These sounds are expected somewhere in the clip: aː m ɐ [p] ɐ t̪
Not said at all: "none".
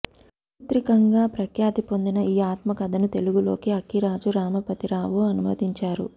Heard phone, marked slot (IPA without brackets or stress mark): p